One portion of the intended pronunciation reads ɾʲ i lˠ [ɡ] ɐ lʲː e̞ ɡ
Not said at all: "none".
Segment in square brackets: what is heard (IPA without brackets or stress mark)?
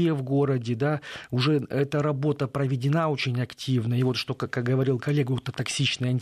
k